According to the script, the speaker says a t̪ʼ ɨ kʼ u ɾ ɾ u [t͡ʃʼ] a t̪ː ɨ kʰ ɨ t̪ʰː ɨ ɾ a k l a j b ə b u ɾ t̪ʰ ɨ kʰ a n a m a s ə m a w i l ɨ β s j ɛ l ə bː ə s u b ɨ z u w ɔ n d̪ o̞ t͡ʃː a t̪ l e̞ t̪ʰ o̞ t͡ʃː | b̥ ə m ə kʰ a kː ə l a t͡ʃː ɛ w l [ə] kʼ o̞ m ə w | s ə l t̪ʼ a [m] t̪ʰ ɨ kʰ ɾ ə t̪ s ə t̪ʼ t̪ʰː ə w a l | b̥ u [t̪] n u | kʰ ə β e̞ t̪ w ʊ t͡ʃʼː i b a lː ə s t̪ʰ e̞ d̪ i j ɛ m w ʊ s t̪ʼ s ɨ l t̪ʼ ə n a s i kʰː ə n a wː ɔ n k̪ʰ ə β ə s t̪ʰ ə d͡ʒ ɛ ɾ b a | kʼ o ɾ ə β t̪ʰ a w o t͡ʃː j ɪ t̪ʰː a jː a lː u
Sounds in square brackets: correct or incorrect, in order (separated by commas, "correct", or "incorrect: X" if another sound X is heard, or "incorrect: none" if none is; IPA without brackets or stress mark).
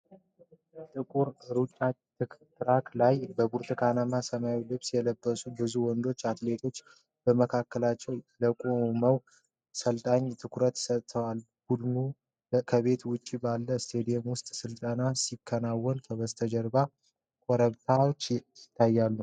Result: correct, correct, incorrect: ɲ, incorrect: d̪